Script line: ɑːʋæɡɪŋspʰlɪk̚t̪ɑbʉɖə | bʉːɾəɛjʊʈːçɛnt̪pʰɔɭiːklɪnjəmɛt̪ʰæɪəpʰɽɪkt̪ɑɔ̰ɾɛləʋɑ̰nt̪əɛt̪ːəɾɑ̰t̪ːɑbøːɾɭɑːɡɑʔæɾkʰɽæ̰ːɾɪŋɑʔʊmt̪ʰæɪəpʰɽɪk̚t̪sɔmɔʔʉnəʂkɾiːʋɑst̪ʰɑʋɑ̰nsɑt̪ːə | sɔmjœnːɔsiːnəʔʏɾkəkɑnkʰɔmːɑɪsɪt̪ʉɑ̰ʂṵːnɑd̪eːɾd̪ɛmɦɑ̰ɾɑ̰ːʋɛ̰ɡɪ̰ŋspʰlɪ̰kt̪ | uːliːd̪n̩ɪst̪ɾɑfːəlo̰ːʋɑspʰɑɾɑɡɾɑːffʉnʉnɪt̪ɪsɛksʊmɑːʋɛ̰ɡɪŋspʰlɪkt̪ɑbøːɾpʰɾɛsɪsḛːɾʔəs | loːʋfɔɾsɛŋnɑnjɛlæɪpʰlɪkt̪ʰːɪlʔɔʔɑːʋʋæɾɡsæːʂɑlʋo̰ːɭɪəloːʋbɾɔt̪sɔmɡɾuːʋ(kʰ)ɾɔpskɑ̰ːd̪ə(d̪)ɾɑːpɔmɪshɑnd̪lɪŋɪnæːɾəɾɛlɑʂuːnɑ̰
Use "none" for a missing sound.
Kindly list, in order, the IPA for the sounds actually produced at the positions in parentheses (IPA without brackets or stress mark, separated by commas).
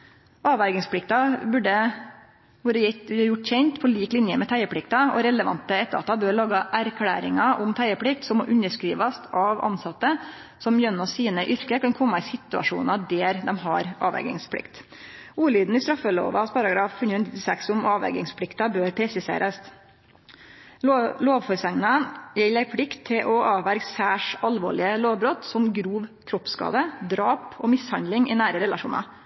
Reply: kʰ, d̪